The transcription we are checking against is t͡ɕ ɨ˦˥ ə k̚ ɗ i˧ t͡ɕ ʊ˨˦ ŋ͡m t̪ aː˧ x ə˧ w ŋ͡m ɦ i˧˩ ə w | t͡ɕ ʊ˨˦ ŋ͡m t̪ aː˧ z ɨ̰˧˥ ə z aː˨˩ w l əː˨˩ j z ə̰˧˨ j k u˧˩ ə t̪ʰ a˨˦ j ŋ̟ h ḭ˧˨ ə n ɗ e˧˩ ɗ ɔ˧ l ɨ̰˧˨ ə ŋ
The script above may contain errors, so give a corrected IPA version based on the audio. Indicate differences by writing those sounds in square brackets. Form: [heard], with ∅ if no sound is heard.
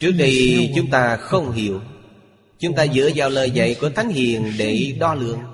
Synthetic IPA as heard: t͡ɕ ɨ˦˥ ə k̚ ɗ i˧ t͡ɕ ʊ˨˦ ŋ͡m t̪ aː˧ x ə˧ w ŋ͡m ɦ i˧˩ ə w | t͡ɕ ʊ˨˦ ŋ͡m t̪ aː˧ z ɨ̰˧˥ ə z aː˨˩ w l əː˨˩ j z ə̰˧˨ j k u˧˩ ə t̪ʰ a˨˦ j ŋ̟ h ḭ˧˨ ə n ɗ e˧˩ ɗ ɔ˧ l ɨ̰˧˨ ə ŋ